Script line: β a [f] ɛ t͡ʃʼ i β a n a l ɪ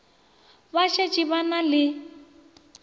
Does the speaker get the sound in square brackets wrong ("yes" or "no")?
yes